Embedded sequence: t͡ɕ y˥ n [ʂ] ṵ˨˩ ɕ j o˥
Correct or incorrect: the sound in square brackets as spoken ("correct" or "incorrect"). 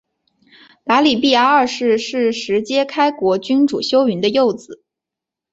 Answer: incorrect